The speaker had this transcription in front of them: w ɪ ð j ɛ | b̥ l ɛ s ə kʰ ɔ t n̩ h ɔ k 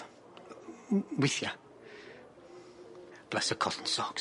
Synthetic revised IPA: w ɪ θ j a | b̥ l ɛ s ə kʰ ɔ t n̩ s ɔ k